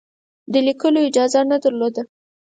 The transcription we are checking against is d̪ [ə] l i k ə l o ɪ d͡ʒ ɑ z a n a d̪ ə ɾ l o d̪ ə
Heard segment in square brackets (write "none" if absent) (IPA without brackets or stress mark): ə